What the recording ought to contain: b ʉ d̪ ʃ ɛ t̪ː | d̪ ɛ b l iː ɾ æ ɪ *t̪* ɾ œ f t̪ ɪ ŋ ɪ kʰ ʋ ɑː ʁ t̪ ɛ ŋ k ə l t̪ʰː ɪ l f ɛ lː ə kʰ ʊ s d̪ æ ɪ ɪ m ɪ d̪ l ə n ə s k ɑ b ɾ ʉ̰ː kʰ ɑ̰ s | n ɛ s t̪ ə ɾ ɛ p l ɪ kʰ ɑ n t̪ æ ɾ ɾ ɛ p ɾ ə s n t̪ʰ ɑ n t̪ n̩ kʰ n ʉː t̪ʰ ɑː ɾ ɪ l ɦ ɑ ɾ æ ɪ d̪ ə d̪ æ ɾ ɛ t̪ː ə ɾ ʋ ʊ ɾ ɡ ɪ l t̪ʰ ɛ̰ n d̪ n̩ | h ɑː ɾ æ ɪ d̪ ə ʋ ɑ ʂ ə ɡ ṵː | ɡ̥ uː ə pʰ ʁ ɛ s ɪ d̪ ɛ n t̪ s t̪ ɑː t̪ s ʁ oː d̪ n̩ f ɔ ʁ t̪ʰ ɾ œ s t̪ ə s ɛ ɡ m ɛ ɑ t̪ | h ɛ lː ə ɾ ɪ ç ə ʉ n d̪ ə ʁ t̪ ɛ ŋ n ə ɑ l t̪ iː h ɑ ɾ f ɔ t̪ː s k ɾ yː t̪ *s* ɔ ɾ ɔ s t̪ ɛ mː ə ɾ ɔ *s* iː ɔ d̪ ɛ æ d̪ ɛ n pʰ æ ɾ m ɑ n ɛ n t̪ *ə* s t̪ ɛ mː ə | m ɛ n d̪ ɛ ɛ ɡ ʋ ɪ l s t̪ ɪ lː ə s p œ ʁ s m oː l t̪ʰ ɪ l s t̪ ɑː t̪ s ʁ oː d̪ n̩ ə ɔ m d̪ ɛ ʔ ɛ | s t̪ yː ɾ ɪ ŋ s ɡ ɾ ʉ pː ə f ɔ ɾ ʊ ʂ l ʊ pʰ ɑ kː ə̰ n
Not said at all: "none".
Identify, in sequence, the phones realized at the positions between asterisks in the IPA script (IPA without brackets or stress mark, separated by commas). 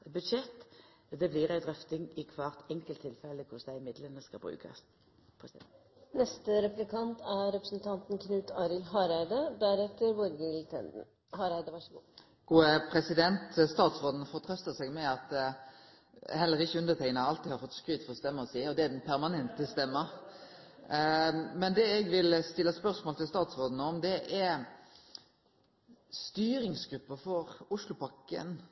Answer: d̪, f, s, ə